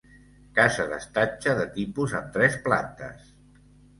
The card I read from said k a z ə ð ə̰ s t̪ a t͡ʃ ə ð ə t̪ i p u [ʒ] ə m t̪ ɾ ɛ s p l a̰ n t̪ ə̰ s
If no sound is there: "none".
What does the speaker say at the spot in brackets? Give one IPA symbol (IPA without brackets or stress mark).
z